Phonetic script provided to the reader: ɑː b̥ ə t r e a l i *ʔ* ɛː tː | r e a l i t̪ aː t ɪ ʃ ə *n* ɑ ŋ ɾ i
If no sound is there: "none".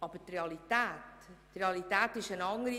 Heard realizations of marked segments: t, n

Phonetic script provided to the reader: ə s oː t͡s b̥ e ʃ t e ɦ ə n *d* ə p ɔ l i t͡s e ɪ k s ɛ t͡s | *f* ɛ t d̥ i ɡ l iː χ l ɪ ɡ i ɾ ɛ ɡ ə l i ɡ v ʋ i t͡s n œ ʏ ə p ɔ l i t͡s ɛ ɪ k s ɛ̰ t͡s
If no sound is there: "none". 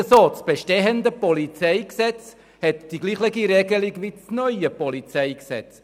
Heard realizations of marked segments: d, h

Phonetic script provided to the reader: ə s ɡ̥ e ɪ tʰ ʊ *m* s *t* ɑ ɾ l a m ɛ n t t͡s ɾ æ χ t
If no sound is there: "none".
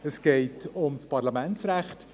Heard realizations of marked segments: m, p

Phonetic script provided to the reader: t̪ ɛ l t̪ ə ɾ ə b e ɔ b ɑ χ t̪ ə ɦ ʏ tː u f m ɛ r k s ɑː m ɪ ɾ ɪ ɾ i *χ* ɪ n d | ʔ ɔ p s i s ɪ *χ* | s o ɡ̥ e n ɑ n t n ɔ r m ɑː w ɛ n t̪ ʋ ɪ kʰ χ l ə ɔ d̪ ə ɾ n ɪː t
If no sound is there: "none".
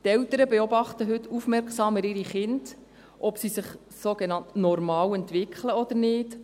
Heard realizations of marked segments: χ, χ

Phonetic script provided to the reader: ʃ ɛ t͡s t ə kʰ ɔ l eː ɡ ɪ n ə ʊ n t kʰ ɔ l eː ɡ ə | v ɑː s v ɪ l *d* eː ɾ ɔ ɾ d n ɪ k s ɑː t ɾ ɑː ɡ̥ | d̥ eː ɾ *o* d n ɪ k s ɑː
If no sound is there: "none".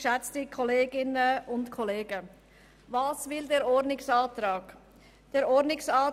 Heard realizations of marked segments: d, ɔ

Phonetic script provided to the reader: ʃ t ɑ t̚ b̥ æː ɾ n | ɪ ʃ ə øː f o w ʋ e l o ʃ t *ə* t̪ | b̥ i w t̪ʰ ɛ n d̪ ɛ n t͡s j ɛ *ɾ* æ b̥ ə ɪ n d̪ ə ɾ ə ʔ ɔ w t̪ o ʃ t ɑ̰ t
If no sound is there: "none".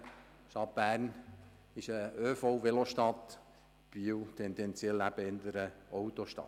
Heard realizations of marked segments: ɑ, l

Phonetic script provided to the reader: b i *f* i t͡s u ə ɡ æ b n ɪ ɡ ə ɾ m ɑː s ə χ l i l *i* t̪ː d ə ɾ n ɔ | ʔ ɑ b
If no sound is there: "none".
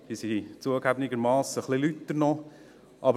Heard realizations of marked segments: s, y

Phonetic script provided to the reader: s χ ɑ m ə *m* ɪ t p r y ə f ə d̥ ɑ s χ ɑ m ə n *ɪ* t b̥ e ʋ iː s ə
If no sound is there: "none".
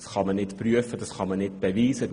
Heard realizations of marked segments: n, ɪ

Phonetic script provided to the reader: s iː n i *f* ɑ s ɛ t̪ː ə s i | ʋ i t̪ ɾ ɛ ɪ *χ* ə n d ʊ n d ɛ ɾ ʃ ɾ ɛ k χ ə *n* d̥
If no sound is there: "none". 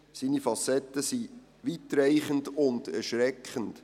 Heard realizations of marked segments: f, χ, n

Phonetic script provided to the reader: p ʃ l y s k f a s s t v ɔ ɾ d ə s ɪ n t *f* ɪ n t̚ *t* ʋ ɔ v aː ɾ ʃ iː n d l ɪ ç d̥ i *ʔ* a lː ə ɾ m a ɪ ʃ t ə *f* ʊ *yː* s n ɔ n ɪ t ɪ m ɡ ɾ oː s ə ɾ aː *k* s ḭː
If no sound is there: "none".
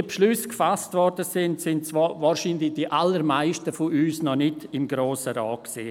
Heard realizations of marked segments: s, t͡s, ʔ, f, yː, k

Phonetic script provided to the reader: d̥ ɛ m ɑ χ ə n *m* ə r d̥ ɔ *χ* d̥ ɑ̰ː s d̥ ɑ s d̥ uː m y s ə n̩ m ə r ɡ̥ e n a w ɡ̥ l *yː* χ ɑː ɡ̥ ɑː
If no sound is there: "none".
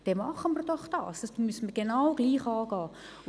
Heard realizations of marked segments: m, χ, iː

